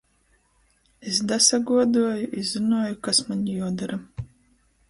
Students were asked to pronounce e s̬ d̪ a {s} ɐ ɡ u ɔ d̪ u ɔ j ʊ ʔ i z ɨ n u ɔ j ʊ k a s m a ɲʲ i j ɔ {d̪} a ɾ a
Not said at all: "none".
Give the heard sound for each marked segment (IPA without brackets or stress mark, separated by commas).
s, d̪